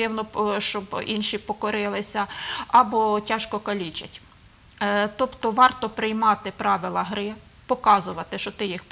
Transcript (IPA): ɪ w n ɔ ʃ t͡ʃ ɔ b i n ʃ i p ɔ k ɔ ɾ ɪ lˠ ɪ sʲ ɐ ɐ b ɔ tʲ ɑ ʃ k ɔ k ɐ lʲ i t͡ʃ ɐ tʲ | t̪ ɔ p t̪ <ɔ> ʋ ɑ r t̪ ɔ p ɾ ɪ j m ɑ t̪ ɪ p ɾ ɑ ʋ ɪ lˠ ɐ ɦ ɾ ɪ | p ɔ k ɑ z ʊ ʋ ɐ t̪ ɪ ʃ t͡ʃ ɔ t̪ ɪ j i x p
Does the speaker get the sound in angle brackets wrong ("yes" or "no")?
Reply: no